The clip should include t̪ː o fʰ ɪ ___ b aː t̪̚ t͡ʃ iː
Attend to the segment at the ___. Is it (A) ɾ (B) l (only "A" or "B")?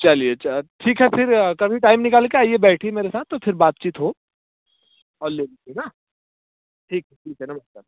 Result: A